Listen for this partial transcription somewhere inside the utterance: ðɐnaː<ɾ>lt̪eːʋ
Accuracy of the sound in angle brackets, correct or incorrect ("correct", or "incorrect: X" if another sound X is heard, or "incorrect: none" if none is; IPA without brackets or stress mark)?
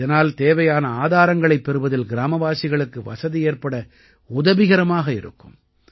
incorrect: none